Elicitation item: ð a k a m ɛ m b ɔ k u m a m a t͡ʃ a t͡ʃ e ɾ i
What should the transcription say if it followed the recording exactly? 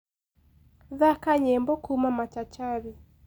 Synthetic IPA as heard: ð a k a ɲ ɛ m b ɔ k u m a m a t͡ʃ a t͡ʃ a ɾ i